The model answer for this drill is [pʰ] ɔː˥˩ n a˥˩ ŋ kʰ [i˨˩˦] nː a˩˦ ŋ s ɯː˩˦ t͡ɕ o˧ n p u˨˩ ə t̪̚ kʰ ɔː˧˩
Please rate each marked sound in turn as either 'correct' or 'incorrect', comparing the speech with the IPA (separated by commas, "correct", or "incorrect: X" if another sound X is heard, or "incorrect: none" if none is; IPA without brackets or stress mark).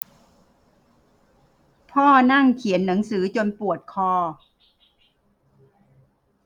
correct, correct